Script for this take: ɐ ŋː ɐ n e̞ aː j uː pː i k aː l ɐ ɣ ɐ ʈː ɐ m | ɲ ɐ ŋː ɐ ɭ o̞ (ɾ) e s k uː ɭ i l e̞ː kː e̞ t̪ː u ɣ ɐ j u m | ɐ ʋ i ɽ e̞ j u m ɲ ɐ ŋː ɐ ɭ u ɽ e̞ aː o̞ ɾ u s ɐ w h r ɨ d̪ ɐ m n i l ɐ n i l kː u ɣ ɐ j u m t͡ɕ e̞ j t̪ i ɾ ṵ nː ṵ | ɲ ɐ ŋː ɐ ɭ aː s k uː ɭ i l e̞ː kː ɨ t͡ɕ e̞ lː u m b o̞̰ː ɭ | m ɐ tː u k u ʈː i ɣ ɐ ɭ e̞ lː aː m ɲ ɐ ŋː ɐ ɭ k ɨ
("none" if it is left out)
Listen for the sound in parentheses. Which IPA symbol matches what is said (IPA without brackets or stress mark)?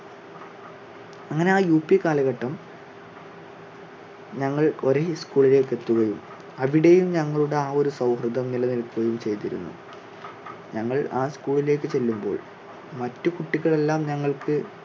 ɾ